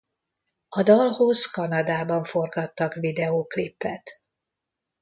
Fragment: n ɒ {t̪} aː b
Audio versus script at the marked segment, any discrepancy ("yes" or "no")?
yes